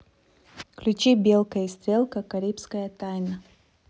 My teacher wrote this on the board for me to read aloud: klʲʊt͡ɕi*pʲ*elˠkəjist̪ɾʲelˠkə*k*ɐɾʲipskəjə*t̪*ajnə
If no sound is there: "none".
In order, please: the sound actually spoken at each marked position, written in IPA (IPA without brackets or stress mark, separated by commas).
bʲ, k, t̪